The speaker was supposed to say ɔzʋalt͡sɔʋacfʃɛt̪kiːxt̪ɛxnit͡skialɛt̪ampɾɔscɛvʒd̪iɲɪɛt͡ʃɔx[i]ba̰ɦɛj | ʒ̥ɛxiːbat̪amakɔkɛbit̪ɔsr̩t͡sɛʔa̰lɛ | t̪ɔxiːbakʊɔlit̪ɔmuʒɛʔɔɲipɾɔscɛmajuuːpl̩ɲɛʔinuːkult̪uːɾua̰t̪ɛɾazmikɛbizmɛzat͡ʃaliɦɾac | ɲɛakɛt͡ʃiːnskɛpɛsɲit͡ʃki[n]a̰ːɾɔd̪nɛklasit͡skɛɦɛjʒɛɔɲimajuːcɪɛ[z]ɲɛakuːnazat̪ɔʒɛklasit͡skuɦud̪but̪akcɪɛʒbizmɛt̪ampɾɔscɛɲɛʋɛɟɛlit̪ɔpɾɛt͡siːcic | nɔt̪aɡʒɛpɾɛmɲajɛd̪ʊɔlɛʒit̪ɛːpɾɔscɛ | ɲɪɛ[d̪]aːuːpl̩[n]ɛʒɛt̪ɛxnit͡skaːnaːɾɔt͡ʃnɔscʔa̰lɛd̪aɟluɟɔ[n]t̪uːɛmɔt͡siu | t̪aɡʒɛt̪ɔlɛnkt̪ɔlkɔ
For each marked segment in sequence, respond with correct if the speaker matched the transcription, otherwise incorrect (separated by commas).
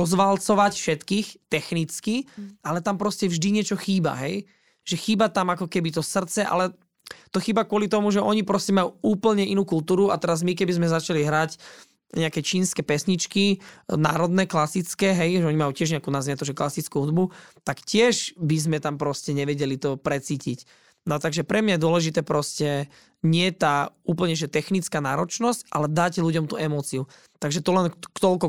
incorrect, correct, incorrect, incorrect, incorrect, incorrect